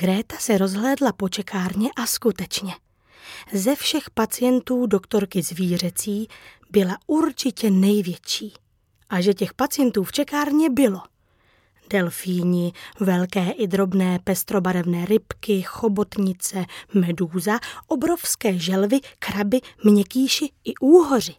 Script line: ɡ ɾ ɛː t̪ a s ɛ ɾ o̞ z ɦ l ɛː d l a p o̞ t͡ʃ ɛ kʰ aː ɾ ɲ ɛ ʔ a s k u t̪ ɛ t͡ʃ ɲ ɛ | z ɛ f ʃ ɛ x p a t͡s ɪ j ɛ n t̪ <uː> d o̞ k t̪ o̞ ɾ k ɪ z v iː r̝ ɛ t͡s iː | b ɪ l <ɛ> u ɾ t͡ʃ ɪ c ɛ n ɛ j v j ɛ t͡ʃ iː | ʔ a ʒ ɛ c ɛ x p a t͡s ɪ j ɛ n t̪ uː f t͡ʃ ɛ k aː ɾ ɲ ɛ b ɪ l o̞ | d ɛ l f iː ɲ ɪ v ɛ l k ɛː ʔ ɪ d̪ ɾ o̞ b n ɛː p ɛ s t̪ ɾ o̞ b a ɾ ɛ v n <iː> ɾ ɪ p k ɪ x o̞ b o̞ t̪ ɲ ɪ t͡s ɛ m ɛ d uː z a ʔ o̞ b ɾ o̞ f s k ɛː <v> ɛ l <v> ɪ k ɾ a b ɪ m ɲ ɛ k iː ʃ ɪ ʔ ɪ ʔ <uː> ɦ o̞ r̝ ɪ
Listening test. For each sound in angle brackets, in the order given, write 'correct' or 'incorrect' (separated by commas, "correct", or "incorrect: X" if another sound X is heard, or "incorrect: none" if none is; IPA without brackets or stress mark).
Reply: correct, incorrect: a, incorrect: ɛː, incorrect: ʒ, correct, correct